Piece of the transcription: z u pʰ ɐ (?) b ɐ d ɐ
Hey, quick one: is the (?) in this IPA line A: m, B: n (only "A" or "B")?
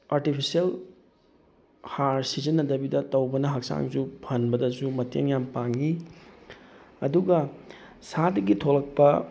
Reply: B